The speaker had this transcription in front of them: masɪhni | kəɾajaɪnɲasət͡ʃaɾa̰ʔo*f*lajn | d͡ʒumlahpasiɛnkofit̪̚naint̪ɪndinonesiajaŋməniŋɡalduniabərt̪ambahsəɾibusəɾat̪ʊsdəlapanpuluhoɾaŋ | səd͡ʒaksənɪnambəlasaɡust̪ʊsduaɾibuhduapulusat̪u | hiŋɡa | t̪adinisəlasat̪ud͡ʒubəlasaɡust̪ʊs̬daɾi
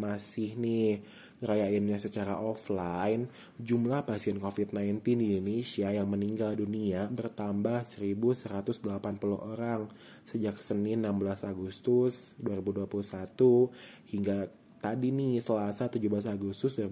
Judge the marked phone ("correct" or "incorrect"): correct